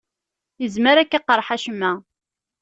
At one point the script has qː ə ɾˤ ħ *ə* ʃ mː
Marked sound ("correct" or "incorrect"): incorrect